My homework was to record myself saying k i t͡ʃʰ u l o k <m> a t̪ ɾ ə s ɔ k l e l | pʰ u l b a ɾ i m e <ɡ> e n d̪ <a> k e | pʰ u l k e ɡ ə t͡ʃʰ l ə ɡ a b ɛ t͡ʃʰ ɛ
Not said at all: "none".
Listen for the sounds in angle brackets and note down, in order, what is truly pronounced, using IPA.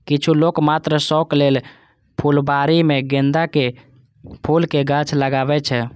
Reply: m, ɡ, a

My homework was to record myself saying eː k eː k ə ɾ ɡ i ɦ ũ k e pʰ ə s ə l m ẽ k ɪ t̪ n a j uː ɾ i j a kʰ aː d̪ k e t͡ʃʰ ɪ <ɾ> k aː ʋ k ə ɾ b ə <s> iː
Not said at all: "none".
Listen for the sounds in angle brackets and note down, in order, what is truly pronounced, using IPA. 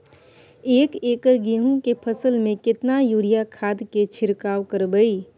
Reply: ɾ, none

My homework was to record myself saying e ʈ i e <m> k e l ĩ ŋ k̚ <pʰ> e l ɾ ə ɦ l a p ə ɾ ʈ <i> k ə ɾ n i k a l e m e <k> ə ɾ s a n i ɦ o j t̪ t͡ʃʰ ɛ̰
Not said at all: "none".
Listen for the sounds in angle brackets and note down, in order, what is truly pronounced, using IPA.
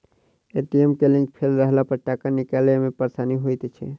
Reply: m, pʰ, a, p

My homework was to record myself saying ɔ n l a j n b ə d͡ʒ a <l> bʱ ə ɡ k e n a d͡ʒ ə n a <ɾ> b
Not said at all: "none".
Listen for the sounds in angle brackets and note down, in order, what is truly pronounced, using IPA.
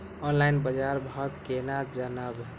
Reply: ɾ, none

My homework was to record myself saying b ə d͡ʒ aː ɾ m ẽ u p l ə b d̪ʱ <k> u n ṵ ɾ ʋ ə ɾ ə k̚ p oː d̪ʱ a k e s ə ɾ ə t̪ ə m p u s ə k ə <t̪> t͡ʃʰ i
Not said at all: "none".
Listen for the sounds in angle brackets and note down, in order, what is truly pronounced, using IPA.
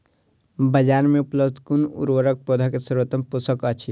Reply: k, none

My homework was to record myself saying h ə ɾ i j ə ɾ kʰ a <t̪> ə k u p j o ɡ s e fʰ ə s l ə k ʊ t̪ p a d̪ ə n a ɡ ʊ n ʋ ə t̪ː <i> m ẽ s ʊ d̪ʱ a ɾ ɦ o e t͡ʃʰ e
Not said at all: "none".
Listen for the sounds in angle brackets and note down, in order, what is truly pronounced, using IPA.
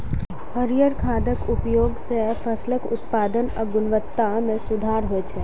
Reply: d̪, a

